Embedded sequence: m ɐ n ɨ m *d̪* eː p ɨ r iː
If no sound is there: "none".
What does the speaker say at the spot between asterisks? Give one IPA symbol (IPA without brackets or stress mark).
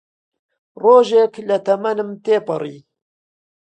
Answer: t̪